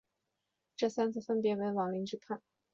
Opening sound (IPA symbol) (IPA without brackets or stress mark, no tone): ʈ͡ʂ